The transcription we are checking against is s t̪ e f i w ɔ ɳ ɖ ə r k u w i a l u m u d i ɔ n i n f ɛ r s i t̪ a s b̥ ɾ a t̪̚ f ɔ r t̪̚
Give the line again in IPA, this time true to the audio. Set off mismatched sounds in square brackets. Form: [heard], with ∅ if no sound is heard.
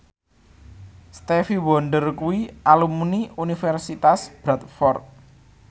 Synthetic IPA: s t̪ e f i w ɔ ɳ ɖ ə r k u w i a l u m u [n] i [u] n i [∅] f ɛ r s i t̪ a s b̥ ɾ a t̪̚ f ɔ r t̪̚

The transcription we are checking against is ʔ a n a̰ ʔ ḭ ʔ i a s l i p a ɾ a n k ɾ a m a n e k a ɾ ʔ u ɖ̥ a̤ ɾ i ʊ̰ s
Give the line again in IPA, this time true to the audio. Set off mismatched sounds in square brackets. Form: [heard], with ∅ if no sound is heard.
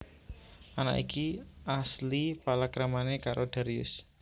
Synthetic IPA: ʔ a n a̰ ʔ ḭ [k] i a s l i p a [l] a [∅] k ɾ a m a n e k a ɾ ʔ [o] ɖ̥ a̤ ɾ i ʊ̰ s

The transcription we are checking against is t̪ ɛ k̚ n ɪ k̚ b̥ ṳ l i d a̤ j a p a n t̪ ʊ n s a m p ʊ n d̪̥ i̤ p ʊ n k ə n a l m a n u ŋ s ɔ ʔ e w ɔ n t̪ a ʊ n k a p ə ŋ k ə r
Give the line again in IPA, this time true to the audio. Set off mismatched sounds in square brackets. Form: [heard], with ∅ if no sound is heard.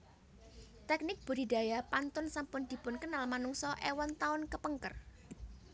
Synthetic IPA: t̪ ɛ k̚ n ɪ k̚ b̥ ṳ [ɾ] i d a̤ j a p a n t̪ ʊ n s a m p ʊ n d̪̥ i̤ p ʊ n k ə n a l m a n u ŋ s ɔ ʔ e w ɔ n t̪ a ʊ n k [ə] p ə ŋ k ə r

